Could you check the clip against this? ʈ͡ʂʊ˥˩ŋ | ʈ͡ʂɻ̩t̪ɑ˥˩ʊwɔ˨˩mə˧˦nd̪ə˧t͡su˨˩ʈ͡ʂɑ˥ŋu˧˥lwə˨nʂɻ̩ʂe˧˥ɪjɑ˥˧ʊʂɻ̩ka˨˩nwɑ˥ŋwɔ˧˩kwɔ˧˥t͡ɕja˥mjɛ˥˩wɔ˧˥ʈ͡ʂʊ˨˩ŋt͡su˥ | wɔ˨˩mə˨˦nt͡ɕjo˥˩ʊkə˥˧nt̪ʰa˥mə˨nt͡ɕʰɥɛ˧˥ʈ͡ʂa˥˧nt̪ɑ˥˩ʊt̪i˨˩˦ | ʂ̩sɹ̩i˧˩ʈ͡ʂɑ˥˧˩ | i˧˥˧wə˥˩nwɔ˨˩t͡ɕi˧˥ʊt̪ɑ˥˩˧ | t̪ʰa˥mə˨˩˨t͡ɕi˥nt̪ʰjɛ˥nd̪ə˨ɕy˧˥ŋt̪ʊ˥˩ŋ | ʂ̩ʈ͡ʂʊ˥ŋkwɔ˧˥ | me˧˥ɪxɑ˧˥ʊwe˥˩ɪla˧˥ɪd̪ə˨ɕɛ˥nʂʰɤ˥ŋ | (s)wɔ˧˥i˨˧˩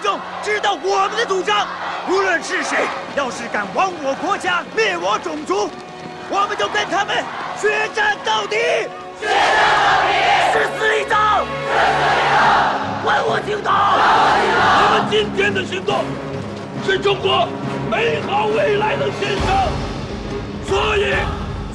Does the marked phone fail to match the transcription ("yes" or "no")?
no